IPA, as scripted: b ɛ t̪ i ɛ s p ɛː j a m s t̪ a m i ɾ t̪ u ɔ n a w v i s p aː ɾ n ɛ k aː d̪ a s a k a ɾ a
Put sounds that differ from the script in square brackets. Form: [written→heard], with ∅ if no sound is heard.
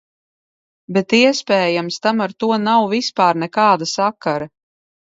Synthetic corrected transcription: b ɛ t̪ i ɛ s p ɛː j a m s t̪ a m [i→a] ɾ t̪ u ɔ n a w v i s p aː ɾ n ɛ k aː d̪ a s a k a ɾ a